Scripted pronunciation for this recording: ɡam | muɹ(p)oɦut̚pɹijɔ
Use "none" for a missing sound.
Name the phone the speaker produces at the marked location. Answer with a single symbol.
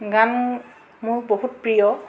b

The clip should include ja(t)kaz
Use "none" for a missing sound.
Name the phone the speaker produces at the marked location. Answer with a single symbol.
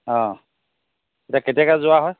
none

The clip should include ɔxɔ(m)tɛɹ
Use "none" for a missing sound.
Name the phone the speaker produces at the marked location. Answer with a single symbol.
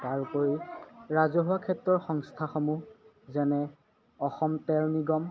m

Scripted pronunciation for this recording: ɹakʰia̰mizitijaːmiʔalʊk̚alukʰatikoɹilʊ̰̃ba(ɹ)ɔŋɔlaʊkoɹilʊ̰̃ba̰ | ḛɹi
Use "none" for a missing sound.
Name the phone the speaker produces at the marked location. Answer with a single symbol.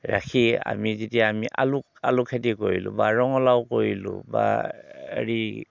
ɹ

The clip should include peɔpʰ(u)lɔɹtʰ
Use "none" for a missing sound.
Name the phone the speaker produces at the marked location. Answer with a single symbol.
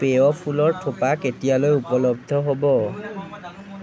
u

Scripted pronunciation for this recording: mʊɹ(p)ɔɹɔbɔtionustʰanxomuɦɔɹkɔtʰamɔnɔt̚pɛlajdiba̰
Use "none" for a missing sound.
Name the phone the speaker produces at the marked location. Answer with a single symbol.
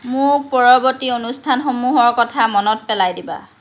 p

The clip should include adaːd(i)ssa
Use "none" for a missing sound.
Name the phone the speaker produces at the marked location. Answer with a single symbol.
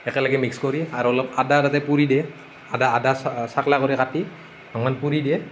a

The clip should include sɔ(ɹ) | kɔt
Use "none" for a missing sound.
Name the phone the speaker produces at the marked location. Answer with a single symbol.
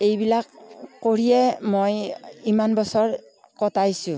ɹ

